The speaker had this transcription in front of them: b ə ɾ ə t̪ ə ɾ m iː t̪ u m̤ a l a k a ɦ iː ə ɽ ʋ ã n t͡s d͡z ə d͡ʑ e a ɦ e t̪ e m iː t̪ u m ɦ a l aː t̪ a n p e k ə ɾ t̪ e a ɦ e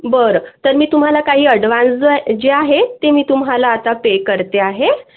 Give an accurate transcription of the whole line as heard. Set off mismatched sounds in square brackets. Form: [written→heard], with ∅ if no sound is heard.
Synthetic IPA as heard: b ə ɾ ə t̪ ə ɾ m iː t̪ u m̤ a l a k a ɦ iː ə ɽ ʋ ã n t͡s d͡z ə d͡ʑ e a ɦ e t̪ e m iː t̪ u m ɦ a l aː t̪ a [n→∅] p e k ə ɾ t̪ e a ɦ e